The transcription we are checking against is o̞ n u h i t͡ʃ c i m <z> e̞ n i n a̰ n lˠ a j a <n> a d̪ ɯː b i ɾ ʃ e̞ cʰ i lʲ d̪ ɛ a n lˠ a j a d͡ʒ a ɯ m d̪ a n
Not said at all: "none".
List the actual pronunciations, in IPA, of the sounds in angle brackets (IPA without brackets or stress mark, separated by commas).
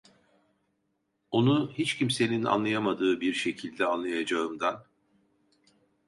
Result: s, m